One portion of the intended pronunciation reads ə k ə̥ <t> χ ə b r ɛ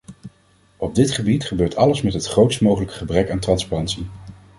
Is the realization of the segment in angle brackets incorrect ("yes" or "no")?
yes